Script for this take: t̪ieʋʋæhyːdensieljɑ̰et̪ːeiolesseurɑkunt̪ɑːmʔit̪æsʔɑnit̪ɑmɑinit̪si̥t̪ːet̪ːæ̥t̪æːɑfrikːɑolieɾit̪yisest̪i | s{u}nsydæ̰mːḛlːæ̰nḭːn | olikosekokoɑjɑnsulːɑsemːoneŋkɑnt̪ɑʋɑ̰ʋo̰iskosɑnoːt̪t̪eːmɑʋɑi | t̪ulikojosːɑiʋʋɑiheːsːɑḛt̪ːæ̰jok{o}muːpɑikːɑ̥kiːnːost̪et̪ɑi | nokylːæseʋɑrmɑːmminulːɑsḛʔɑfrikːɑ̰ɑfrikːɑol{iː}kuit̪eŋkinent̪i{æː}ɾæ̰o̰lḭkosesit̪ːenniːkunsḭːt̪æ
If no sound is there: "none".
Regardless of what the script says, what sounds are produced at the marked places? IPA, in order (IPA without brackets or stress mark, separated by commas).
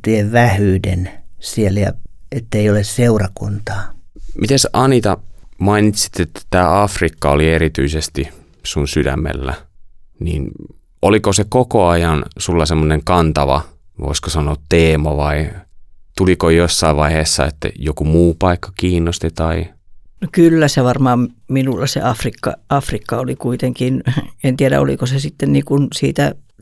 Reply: u, u, i, æ